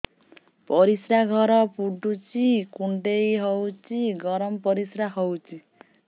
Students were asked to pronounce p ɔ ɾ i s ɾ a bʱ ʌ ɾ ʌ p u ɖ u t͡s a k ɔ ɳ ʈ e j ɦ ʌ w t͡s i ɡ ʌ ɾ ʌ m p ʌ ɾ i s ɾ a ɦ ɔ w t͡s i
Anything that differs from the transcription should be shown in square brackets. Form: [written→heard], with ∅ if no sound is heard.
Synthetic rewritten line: p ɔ ɾ i s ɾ a [bʱ→ɡʱ] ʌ ɾ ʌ p u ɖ u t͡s [a→i] k [ɔ→u] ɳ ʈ e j ɦ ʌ w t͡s i ɡ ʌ ɾ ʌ m p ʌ ɾ i s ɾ a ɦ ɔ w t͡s i